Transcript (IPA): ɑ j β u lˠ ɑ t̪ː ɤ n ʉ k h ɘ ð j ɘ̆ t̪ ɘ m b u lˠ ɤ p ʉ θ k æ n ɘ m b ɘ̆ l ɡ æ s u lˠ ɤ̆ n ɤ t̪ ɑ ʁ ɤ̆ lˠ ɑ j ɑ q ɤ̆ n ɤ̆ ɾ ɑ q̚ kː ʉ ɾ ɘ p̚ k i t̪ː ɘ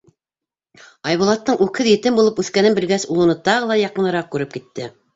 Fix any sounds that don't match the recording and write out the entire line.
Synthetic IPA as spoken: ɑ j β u lˠ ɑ t̪ː ɤ ɴ ʉ k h ɘ ð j ɘ̆ t̪ ɘ m b u lˠ ɤ p ʉ θ k æ n ɘ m b ɘ̆ l ɡ æ s u lˠ ɤ̆ n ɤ t̪ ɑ ʁ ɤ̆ lˠ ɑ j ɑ q ɤ̆ n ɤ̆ ɾ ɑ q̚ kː ʉ ɾ ɘ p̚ k i t̪ː ɘ